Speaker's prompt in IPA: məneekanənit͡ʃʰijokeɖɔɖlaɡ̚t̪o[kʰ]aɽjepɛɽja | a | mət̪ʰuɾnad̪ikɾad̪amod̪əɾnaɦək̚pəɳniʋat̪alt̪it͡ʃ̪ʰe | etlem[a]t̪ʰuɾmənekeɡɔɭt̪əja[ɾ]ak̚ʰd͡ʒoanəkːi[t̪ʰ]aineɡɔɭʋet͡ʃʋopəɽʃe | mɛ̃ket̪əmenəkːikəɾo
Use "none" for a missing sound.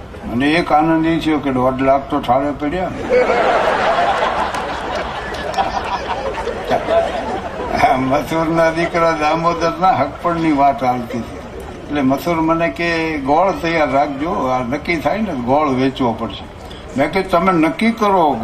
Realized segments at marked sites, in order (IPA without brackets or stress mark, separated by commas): ʈʰ, ə, ɾː, t̪ʰ